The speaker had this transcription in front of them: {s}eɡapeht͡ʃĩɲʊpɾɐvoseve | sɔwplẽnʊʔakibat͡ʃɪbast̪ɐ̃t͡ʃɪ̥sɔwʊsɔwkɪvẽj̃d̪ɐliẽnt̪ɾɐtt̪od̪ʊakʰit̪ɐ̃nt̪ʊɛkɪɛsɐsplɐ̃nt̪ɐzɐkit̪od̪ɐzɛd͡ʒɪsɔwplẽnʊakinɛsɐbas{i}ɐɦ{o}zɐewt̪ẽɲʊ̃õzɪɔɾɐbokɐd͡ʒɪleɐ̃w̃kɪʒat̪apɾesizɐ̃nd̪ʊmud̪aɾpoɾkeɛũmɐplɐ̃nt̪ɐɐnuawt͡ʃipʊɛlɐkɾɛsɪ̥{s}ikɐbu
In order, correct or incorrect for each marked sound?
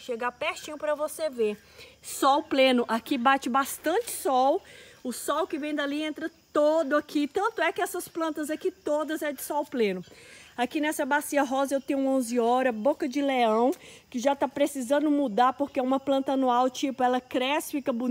incorrect: ʃ, correct, incorrect: ɔ, incorrect: f

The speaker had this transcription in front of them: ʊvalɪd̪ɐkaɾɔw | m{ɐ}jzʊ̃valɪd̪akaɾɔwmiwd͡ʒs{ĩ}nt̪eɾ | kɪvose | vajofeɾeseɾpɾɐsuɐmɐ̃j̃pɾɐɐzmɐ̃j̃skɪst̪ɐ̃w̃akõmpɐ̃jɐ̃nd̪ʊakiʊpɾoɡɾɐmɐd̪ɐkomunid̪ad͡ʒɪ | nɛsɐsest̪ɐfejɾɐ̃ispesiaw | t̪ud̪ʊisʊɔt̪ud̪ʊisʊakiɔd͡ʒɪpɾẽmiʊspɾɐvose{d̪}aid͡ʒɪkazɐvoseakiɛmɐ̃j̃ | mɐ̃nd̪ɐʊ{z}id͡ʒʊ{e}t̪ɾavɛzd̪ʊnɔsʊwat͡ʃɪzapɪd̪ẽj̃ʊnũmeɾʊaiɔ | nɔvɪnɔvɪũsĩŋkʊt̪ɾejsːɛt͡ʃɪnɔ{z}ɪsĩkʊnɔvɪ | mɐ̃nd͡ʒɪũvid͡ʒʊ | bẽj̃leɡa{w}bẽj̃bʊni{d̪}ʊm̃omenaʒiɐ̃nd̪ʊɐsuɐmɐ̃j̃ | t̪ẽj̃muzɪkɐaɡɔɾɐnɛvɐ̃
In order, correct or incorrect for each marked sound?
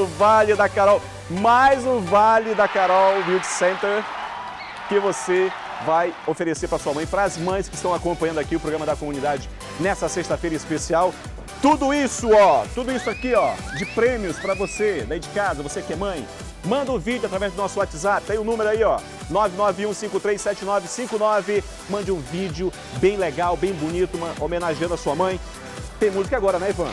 incorrect: a, incorrect: ẽ, correct, incorrect: v, incorrect: a, incorrect: v, correct, incorrect: t̪

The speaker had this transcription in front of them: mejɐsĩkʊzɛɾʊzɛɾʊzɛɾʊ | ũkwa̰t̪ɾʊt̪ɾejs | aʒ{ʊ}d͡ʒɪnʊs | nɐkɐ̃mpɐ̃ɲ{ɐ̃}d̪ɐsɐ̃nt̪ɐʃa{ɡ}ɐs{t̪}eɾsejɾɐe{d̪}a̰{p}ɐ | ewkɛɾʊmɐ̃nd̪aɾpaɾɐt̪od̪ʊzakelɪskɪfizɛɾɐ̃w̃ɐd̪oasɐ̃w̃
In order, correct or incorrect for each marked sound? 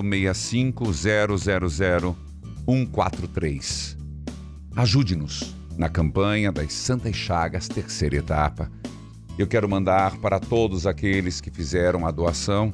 incorrect: u, incorrect: ɐ, correct, correct, incorrect: t̪, correct

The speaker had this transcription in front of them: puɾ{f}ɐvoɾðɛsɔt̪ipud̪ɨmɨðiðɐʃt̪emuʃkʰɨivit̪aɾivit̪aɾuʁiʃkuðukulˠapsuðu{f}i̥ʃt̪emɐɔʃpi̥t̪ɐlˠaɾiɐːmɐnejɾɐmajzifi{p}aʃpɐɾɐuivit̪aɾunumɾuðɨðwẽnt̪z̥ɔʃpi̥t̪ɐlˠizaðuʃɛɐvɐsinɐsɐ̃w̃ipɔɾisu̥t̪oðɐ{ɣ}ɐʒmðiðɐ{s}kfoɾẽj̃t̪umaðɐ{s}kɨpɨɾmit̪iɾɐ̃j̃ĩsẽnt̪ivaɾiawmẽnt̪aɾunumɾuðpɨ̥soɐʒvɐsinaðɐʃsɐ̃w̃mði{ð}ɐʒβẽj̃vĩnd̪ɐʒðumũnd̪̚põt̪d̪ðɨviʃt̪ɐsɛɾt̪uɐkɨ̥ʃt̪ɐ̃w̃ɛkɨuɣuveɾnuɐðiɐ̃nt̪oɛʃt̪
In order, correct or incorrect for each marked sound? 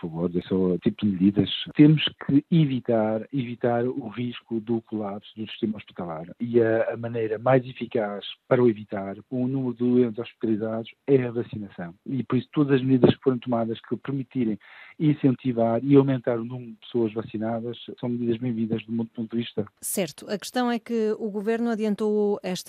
correct, incorrect: s, incorrect: k, incorrect: z, incorrect: ʃ, incorrect: ʃ, correct

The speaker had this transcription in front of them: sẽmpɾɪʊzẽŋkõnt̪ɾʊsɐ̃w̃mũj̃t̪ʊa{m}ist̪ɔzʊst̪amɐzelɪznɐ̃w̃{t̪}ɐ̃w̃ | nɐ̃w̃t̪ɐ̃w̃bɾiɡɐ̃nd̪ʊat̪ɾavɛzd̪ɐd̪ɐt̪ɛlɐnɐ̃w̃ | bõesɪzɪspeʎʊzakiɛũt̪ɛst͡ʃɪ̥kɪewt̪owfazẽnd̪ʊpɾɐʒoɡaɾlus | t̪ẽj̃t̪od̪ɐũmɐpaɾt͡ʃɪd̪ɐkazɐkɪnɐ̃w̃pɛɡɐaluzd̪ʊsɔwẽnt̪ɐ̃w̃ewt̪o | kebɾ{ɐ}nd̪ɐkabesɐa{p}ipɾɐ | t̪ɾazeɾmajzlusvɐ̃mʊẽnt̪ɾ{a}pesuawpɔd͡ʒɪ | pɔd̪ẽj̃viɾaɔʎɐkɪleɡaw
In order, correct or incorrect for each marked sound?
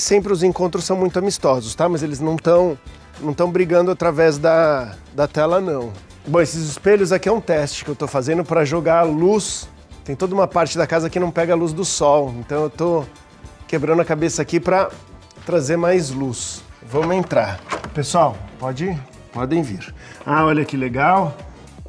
correct, correct, incorrect: ɐ̃, incorrect: k, correct

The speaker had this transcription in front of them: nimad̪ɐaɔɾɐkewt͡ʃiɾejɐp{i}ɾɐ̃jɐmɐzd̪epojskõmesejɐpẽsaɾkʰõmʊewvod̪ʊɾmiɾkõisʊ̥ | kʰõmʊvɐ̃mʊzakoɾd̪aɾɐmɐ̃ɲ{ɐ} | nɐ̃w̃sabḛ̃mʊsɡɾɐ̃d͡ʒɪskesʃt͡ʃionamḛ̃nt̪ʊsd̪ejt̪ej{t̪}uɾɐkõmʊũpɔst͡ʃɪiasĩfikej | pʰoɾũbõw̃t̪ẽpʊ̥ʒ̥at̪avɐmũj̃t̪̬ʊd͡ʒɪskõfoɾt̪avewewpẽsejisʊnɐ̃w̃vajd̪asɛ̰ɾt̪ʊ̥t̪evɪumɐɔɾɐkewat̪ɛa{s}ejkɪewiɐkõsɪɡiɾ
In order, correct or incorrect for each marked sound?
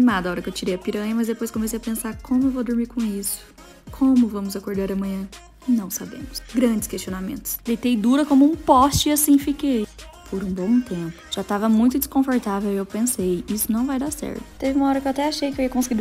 correct, incorrect: ɐ̃, incorrect: d̪, incorrect: ʃ

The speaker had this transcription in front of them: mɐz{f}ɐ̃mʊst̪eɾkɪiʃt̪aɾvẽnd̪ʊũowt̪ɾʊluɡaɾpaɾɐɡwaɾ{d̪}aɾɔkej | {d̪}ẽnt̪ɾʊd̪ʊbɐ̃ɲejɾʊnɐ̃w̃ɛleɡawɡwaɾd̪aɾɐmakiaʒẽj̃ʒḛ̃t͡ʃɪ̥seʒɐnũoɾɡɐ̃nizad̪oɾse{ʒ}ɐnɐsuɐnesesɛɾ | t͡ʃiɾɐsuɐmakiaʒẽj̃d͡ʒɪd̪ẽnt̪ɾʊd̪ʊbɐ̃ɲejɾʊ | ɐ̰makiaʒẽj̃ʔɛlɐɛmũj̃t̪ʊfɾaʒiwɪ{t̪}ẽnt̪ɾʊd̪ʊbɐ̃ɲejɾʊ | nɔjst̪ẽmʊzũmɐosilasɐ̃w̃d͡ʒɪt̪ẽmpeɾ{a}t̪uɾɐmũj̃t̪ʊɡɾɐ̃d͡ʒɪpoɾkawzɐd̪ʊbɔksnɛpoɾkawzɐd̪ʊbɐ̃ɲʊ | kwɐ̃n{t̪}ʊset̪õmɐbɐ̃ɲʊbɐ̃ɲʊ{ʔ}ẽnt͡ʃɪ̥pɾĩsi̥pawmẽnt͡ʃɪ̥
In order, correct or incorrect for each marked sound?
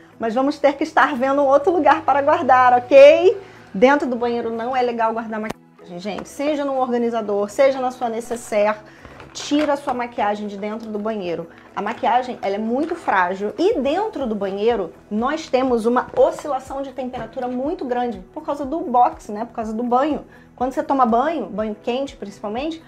incorrect: v, correct, correct, correct, incorrect: d̪, correct, incorrect: d̪, incorrect: k

